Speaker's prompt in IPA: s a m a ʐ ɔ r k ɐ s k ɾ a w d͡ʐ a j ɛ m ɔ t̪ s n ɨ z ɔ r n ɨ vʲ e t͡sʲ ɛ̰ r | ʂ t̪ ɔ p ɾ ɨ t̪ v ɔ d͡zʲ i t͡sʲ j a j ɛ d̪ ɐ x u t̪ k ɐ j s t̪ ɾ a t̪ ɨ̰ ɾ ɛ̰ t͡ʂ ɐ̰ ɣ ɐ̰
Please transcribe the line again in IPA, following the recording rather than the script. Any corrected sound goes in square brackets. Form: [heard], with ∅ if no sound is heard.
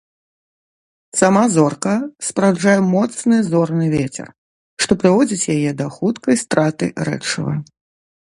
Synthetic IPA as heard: s a m a [z] ɔ r k ɐ s [p] ɾ a w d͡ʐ a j ɛ m ɔ t̪ s n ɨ z ɔ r n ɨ vʲ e t͡sʲ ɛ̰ r | ʂ t̪ ɔ p ɾ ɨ [∅] v ɔ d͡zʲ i t͡sʲ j a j ɛ d̪ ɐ x u t̪ k ɐ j s t̪ ɾ a t̪ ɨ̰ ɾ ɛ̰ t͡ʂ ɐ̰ [v] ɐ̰